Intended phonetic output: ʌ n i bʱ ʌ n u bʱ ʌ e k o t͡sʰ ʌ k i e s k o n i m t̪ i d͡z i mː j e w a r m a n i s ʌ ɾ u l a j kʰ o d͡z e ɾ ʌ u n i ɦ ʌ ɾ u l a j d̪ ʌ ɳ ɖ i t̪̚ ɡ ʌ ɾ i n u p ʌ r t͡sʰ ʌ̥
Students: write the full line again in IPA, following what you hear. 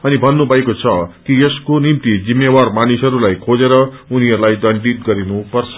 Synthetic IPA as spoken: ʌ n i bʱ ʌ nː u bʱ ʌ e k o t͡sʰ ʌ k i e s k o n i m t̪ i d͡z i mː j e w a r m a n i s ʌ ɾ u l a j kʰ o d͡z e ɾ ʌ u n i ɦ ʌ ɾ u l a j d̪ ʌ ɳ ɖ i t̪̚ ɡ ʌ ɾ i n u p ʌ r t͡sʰ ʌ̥